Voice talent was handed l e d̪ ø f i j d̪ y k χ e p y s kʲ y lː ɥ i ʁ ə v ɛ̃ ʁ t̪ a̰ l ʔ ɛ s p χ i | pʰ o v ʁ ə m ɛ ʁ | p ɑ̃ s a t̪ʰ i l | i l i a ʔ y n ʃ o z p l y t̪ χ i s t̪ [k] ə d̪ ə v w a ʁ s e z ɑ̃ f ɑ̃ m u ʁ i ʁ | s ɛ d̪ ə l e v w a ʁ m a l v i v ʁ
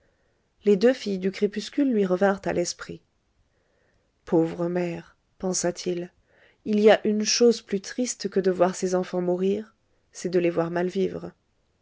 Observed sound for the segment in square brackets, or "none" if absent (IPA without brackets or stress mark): k